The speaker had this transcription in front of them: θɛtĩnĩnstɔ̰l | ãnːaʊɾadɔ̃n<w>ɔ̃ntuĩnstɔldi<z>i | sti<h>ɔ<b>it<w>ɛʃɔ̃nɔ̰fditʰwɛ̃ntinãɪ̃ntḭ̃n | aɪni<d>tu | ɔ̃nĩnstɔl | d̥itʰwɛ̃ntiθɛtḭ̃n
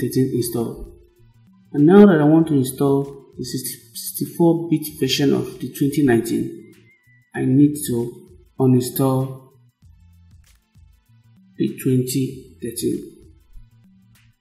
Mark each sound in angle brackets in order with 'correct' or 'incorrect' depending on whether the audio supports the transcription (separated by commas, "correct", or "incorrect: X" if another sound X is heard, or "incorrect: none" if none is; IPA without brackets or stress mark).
correct, incorrect: s, incorrect: f, correct, incorrect: v, correct